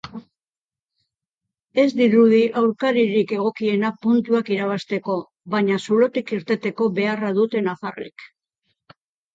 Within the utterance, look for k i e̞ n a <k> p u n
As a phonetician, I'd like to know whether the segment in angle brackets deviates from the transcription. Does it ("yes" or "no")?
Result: yes